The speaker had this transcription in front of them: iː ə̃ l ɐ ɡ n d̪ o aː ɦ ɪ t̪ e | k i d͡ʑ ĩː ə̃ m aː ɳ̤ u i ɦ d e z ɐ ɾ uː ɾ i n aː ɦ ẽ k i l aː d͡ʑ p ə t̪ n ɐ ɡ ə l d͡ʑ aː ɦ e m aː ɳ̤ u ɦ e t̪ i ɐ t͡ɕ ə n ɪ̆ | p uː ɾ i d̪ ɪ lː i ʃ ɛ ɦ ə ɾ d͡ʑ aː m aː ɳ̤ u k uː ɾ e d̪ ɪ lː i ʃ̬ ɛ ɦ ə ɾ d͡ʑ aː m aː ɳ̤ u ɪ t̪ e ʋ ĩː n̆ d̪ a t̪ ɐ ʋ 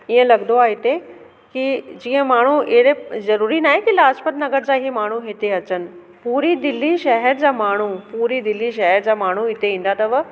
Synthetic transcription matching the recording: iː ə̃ l ɐ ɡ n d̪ o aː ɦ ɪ t̪ e | k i d͡ʑ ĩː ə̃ m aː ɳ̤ u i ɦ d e z ɐ ɾ uː ɾ i n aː ɦ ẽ k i l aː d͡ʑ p ə t̪ n ɐ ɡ ə ɾ d͡ʑ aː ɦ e m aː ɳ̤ u ɦ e t̪ e ɐ t͡ɕ ə n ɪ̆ | p uː ɾ i d̪ ɪ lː i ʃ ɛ ɦ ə ɾ d͡ʑ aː m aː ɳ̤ u p uː ɾ i d̪ ɪ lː i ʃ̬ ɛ ɦ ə ɾ d͡ʑ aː m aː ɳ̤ u ɪ t̪ e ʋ ĩː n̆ d̪ a t̪ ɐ ʋ